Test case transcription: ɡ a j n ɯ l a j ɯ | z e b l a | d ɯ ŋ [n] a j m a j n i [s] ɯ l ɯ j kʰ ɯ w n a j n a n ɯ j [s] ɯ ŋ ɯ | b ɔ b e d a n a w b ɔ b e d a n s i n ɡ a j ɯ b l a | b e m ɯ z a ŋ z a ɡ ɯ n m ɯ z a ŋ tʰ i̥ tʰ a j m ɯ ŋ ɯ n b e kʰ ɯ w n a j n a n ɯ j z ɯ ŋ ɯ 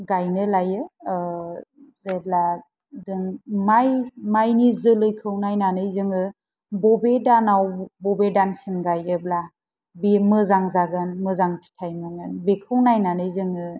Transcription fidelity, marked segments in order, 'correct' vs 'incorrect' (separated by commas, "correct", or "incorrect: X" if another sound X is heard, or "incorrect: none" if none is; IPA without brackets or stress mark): incorrect: m, incorrect: z, incorrect: z